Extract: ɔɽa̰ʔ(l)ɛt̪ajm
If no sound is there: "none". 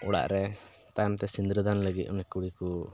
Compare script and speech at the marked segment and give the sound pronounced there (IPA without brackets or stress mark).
ɾ